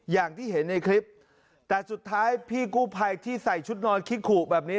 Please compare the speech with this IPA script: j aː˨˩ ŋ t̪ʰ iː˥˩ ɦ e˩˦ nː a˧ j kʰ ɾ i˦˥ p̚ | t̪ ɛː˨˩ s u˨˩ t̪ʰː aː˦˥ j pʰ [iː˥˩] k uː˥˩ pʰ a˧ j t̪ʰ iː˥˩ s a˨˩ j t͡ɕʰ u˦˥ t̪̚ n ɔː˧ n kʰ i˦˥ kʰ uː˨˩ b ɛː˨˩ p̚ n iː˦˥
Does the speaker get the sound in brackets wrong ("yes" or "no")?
no